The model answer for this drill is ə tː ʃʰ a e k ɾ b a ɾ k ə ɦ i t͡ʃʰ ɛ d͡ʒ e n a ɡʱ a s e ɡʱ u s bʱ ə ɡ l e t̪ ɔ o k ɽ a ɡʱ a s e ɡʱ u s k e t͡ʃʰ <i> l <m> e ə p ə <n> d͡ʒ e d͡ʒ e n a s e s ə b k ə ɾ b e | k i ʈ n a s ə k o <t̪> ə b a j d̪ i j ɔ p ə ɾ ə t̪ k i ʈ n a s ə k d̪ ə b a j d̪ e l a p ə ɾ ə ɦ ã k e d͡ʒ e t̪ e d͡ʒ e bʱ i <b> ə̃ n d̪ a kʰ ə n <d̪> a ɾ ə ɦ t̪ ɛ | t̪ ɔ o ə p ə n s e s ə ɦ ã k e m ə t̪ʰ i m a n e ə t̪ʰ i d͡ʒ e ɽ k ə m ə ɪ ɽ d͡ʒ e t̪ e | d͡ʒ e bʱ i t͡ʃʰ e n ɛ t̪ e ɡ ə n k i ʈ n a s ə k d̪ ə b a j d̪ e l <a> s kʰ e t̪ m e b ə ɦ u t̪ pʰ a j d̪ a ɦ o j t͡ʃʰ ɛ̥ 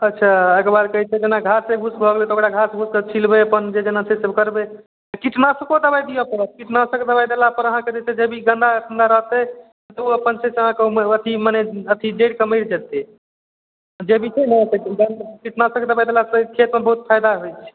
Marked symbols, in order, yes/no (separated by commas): yes, no, yes, no, no, yes, yes